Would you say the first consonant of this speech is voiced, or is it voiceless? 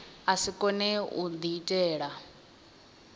voiceless